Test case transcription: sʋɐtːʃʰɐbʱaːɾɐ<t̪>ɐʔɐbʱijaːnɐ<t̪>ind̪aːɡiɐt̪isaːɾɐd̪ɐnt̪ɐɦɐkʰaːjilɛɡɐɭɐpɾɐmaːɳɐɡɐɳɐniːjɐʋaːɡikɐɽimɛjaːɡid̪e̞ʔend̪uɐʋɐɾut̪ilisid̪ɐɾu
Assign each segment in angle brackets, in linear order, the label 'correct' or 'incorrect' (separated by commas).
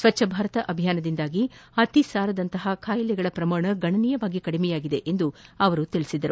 correct, incorrect